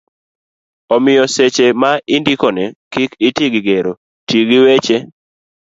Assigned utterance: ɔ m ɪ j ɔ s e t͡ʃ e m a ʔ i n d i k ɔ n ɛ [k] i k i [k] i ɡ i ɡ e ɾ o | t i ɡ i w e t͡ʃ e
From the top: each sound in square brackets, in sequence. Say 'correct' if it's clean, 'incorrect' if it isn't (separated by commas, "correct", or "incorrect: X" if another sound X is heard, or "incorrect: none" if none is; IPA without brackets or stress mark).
correct, incorrect: t